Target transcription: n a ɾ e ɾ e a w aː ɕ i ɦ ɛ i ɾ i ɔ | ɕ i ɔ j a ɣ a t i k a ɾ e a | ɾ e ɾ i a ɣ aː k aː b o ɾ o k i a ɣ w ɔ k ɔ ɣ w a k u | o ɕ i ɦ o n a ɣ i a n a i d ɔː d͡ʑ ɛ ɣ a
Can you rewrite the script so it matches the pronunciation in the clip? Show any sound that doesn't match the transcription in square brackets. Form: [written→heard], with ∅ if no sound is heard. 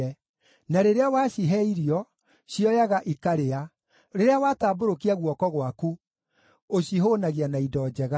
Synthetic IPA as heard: n a ɾ e ɾ e a w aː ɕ i ɦ ɛ i ɾ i ɔ | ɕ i ɔ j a ɣ a [t→ʔ] i k a ɾ e a | ɾ e ɾ [i→e] a [ɣ→w] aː [k→t] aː b o ɾ o k i a ɣ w ɔ k ɔ ɣ w a k u | o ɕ i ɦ o n a ɣ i a n a i d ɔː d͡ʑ ɛ ɣ a